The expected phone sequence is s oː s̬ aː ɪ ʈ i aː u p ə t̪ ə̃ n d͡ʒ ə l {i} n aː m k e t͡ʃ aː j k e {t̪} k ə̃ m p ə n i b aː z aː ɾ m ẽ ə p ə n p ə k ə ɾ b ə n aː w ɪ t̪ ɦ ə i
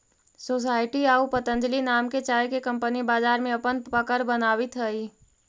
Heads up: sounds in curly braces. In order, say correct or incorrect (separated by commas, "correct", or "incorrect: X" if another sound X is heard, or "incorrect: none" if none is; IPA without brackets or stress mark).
correct, incorrect: none